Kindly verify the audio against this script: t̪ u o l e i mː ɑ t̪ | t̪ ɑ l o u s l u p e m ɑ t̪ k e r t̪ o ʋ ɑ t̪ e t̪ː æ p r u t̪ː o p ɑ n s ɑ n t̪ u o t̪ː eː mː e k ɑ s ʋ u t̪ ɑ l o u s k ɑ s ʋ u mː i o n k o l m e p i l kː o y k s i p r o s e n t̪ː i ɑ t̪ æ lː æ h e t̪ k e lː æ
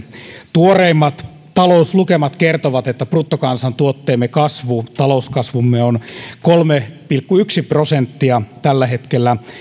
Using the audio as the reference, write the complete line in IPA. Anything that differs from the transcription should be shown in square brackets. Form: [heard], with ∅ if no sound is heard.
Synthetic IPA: t̪ u o [r] e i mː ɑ t̪ | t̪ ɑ l o u s l u [k] e m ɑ t̪ k e r t̪ o ʋ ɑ t̪ e t̪ː æ p r u t̪ː o [k] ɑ n s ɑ n t̪ u o t̪ː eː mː e k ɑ s ʋ u t̪ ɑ l o u s k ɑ s ʋ u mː [e] o n k o l m e p i l kː [u] y k s i p r o s e n t̪ː i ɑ t̪ æ lː æ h e t̪ k e lː æ